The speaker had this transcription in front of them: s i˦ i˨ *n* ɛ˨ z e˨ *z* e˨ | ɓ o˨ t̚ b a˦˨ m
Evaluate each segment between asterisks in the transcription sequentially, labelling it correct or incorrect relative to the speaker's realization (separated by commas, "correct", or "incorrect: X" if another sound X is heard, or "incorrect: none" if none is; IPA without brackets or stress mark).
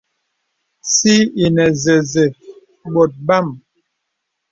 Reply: correct, correct